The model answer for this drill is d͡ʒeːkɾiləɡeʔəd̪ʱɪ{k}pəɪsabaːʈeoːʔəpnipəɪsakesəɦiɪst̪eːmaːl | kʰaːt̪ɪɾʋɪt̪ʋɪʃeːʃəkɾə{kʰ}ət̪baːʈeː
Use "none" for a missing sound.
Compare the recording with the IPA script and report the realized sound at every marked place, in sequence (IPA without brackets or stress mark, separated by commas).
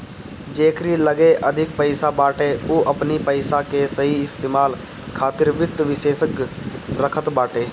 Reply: k, kʰ